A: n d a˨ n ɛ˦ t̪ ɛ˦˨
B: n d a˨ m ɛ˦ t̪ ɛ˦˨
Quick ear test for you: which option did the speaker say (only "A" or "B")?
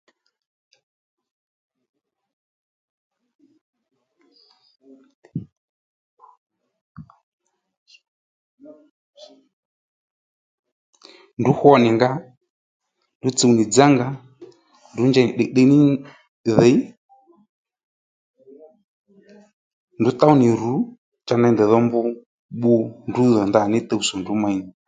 A